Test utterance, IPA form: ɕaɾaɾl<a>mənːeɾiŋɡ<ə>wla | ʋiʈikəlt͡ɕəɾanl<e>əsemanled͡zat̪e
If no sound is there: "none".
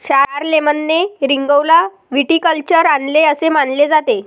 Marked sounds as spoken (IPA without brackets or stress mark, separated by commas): e, ə, e